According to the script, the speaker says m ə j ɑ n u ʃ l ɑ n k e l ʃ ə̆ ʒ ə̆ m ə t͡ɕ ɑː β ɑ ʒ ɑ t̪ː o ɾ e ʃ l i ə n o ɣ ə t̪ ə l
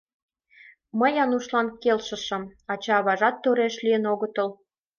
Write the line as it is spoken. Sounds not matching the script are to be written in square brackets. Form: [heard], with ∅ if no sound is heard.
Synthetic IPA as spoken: m ə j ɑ n u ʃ l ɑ n k e l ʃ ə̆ [ʃ] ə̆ m [ɑ] t͡ɕ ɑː β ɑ ʒ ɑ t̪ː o ɾ e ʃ l i ə n o ɣ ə t̪ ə l